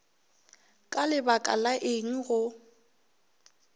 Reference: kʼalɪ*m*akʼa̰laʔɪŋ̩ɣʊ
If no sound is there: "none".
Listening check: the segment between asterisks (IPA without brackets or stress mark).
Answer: b